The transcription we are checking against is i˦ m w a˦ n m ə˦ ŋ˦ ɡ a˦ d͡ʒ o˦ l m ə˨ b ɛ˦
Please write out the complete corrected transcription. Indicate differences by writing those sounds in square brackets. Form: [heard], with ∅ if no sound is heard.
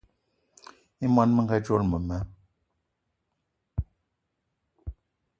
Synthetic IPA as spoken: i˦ m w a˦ n m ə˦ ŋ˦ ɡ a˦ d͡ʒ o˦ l m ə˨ [m] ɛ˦